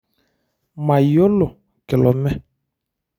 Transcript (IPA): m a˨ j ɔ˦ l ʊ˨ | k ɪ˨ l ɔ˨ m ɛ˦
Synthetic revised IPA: m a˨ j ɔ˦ l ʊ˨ | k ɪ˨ l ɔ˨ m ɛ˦

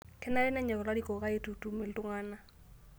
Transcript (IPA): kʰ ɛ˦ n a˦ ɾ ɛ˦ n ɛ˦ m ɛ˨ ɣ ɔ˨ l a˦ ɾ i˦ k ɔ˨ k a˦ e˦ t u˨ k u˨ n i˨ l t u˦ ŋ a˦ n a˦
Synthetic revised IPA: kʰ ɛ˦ n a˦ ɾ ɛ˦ n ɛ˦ ɲ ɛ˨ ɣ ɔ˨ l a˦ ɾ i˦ k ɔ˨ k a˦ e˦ t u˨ t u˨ m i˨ l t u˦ ŋ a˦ n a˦

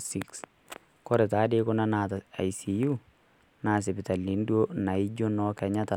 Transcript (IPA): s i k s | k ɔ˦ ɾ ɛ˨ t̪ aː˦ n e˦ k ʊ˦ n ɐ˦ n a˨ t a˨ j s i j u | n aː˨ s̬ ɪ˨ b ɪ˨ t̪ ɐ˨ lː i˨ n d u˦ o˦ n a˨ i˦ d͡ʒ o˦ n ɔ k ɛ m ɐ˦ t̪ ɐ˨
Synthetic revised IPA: s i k s | k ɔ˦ ɾ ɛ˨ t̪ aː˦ d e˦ k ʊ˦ n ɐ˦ n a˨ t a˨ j s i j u | n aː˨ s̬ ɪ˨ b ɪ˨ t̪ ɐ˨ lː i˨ n d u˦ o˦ n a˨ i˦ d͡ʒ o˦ n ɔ k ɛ ɲ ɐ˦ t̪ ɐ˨

